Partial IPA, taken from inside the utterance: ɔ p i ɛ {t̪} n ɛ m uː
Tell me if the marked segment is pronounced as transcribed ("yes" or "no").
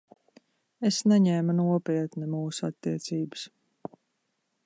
yes